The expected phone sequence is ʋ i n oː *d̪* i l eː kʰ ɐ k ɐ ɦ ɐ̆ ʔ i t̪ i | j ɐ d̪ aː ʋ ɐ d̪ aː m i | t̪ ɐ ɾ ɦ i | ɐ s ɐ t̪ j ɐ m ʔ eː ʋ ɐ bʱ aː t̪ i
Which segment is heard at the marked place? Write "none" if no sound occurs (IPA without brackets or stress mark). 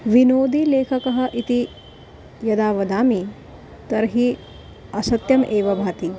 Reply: d̪